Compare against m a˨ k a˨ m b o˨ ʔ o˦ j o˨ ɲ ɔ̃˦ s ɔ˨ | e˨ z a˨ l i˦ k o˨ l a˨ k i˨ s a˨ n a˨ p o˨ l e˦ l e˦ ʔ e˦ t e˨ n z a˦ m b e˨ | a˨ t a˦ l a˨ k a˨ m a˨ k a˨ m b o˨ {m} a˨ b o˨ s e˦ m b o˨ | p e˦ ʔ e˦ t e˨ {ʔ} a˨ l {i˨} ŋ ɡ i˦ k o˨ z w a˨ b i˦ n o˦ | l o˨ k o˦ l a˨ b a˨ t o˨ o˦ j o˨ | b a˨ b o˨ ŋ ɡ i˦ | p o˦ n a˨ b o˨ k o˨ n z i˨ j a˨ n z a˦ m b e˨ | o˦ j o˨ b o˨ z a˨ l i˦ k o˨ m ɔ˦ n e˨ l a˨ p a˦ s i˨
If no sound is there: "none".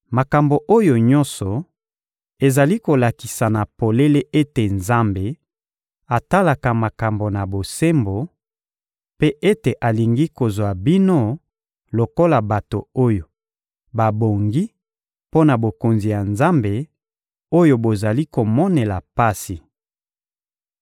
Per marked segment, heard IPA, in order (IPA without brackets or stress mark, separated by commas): n, ʔ, i˨